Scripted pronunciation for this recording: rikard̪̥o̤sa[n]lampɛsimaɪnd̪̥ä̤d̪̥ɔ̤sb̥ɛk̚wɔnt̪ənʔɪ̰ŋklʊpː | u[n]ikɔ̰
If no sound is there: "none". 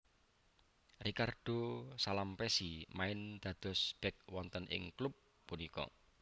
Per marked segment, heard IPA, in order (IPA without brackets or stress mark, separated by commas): none, n